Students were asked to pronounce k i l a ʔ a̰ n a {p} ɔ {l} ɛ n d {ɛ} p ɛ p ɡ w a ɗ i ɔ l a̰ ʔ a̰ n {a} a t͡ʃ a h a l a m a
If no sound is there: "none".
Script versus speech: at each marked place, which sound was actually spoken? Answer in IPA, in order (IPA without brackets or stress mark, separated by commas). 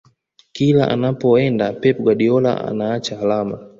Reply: p, none, a, a